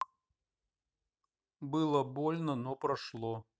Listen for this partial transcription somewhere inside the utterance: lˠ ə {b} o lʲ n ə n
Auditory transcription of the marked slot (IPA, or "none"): b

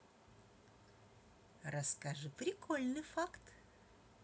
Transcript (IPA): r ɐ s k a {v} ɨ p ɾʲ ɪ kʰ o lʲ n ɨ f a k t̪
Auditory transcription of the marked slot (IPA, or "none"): ʐ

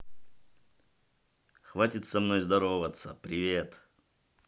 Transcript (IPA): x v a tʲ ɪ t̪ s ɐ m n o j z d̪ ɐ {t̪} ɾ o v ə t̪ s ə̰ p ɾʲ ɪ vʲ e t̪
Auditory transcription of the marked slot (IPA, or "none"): none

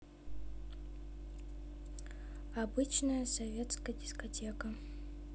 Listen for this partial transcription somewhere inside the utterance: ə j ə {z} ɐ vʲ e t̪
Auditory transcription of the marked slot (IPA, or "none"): s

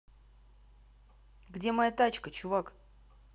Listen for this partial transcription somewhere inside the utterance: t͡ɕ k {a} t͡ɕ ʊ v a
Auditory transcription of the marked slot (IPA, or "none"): ə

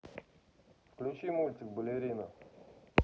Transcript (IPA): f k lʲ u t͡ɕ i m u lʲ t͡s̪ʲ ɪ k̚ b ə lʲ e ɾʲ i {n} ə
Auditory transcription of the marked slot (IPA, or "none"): n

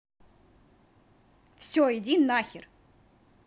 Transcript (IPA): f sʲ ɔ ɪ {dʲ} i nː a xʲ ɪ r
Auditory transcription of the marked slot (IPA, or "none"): dʲ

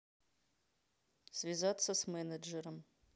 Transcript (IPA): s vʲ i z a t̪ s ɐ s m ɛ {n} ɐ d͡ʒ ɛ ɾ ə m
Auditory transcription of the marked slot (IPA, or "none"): n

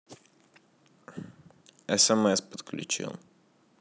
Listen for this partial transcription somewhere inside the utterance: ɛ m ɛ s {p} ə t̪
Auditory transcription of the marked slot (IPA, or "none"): p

